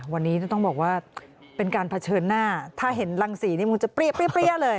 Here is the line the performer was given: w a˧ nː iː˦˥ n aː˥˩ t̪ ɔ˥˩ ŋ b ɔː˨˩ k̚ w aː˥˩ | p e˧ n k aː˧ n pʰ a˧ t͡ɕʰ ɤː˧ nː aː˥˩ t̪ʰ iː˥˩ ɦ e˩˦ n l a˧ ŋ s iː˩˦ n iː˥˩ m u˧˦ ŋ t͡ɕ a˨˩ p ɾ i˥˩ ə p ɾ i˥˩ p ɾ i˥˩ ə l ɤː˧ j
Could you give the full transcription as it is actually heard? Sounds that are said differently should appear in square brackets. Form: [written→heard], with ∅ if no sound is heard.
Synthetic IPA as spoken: w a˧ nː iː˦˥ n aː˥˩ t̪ ɔ˥˩ ŋ b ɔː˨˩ k̚ w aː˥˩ | p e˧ n k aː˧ n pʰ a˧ t͡ɕʰ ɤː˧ nː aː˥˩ t̪ʰ [iː˥˩→aː˥˩] ɦ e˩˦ n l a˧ ŋ s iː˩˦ n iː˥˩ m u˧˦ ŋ t͡ɕ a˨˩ p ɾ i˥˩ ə p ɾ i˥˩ p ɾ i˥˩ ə l ɤː˧ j